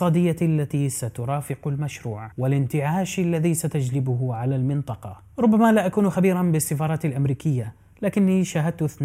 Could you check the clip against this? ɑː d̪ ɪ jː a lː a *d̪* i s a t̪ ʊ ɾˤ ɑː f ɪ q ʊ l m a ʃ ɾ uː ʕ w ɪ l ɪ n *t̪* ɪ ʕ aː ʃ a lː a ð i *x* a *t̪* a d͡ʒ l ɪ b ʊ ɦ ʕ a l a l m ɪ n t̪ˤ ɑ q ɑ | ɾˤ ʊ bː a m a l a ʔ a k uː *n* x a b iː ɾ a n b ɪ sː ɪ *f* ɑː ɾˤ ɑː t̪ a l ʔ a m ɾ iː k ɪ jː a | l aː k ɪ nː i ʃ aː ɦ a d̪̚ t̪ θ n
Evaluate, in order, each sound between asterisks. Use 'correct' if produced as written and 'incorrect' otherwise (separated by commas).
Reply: incorrect, correct, incorrect, correct, correct, correct